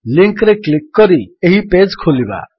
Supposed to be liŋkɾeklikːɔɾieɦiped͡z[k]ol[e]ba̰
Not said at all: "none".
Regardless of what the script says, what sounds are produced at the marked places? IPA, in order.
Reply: kʰ, i

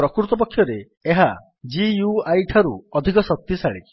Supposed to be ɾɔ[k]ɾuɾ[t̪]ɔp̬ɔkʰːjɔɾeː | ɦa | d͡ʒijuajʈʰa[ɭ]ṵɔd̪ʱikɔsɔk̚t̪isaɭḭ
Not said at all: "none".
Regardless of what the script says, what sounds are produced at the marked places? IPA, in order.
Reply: k, t̪, ɾ

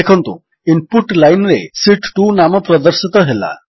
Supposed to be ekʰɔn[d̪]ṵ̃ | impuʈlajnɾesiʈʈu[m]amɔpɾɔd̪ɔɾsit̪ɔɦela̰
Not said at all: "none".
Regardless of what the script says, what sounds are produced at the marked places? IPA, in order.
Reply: t̪, n

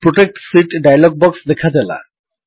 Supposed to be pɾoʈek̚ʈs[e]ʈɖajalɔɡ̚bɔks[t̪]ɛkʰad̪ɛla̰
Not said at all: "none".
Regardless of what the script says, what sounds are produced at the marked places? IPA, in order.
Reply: i, d̪

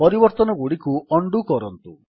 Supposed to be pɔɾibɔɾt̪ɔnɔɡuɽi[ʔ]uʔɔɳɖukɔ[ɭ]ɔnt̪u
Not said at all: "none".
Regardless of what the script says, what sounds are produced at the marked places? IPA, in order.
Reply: k, ɾ

